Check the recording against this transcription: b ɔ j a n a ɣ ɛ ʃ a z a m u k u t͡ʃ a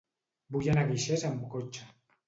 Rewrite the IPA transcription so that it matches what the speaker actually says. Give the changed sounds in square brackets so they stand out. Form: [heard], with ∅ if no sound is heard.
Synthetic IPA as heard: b [u] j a n a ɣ [i] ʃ [e] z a m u k [o] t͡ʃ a

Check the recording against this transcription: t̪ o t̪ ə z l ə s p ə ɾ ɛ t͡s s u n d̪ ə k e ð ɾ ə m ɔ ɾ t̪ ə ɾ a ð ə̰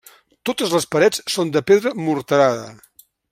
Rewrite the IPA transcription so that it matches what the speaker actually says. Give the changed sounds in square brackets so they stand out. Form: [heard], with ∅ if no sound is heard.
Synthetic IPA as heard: t̪ o t̪ ə z l ə s p ə ɾ ɛ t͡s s [o] n d̪ ə [p] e ð ɾ ə m [u] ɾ t̪ ə ɾ a ð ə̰

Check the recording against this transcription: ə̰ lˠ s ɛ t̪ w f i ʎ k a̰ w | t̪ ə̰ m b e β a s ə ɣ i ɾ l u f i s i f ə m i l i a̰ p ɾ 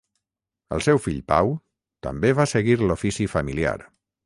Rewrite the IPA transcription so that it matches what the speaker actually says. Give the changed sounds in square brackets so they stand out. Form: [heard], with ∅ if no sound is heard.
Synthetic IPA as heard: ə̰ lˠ s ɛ [∅] w f i ʎ [p] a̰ w | t̪ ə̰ m b e β a s ə ɣ i ɾ l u f i s i f ə m i l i a̰ [∅] ɾ

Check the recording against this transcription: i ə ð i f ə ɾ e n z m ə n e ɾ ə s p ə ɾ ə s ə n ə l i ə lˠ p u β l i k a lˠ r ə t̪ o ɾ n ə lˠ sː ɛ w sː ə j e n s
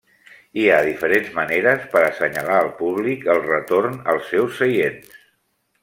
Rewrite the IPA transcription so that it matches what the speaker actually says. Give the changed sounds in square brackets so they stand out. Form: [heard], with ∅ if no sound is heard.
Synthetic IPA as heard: i [a] ð i f ə ɾ e n z m ə n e ɾ ə s p ə ɾ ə s ə [ɲ] ə l [a] ə lˠ p u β l i k [ə] lˠ r ə t̪ o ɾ n ə lˠ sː ɛ w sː ə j e n s

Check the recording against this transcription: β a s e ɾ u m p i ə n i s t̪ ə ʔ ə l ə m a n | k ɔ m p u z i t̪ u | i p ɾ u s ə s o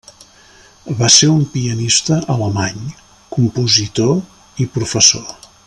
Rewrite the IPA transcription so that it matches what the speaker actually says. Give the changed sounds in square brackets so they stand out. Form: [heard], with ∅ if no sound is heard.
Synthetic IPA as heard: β a s e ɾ u m p i ə n i s t̪ ə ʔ ə l ə m a [ɲ] | k [u] m p u z i t̪ [o] | i p ɾ u [f] ə s o

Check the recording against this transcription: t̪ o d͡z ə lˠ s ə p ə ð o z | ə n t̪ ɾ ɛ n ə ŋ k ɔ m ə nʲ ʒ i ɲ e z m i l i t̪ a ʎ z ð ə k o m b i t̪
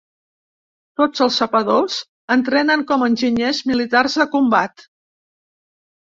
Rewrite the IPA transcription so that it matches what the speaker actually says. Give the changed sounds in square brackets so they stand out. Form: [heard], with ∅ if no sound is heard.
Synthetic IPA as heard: t̪ o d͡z ə lˠ s ə p ə ð o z | ə n t̪ ɾ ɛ n ə ŋ k ɔ m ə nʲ ʒ i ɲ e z m i l i t̪ a [r] z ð ə k [u] m b [a] t̪

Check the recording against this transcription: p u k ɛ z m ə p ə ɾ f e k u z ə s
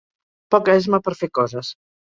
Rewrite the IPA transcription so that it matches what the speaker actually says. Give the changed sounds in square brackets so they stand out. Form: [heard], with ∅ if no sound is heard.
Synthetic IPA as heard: p [ɔ] k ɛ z m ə p ə ɾ f e k [ɔ] z ə s

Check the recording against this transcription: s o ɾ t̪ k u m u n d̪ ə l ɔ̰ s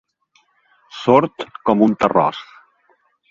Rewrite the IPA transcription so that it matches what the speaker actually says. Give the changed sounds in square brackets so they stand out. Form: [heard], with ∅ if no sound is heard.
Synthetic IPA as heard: s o ɾ t̪ k [ɔ] m u n [t̪] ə [r] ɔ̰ s

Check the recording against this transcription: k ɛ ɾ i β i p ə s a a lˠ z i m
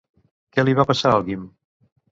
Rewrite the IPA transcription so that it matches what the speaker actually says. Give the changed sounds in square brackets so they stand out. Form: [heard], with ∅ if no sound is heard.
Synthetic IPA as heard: k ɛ [l] i β [a] p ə s a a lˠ [ɣ] i m

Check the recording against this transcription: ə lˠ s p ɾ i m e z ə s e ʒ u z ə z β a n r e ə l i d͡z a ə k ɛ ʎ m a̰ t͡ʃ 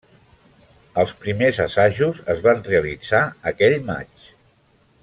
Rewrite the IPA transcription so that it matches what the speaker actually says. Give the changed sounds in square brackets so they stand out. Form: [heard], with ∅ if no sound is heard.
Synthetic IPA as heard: ə lˠ s p ɾ i m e z ə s [a] ʒ u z ə z β a n r e ə l i d͡z a ə k ɛ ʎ m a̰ t͡ʃ

